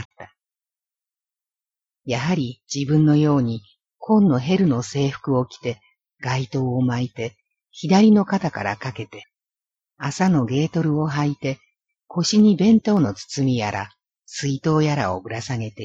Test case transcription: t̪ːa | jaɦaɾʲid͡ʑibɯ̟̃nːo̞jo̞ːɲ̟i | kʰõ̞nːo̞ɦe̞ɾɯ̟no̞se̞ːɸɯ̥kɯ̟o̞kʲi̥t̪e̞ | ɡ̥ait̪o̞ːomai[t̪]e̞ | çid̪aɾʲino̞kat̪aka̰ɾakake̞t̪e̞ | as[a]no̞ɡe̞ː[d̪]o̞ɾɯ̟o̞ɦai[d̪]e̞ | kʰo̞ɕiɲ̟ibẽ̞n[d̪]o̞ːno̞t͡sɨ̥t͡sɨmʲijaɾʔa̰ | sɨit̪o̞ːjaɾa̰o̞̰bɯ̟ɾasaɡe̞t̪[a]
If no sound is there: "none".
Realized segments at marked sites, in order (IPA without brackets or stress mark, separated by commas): t̪, a, t̪, t̪, t̪, e